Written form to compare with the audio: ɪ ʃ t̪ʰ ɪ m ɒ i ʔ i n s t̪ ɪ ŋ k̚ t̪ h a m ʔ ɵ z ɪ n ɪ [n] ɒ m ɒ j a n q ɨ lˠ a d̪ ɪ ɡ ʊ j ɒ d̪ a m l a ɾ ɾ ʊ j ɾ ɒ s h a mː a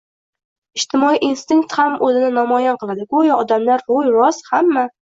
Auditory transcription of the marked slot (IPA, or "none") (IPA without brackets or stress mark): n